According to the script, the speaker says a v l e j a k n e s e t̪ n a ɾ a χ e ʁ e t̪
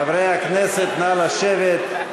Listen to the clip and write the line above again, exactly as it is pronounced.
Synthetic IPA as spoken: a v ɾ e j a k n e s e t̪ n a l a ʃ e v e t̪